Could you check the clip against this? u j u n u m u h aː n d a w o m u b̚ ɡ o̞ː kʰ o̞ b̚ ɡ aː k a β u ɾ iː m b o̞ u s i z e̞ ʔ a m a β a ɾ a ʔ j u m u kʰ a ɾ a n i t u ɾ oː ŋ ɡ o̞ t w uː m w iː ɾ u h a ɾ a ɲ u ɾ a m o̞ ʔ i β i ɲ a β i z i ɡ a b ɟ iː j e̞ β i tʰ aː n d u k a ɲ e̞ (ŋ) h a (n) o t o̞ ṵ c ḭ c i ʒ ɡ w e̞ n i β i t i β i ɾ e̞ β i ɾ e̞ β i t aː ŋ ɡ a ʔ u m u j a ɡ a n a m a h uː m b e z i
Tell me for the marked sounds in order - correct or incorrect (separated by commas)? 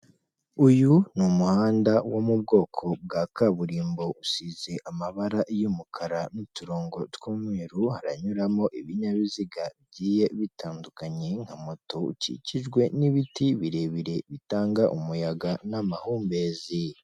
correct, incorrect